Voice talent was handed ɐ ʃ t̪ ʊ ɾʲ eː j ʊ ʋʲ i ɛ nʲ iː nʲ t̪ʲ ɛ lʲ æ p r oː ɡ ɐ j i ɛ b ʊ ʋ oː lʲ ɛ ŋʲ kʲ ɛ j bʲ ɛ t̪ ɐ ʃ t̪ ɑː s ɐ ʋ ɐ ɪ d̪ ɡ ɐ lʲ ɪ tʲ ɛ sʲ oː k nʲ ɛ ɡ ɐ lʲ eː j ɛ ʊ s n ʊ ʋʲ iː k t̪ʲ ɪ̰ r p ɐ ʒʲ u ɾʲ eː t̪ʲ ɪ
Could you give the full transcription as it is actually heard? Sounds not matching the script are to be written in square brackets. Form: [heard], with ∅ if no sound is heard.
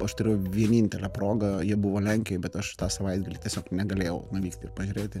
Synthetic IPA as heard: ɐ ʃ t̪ ʊ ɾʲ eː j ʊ ʋʲ i ɛ nʲ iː nʲ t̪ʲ ɛ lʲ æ p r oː ɡ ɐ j i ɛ b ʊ ʋ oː lʲ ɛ ŋʲ kʲ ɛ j bʲ ɛ t̪ ɐ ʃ t̪ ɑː s ɐ ʋ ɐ ɪ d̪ ɡ ɐ lʲ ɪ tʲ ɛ sʲ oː k nʲ ɛ ɡ ɐ lʲ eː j ɛ ʊ [∅] n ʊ ʋʲ iː k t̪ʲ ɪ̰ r p ɐ ʒʲ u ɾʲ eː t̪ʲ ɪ